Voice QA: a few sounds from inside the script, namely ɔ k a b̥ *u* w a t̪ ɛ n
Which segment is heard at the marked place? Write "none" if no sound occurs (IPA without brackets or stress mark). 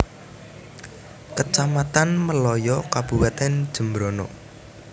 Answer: u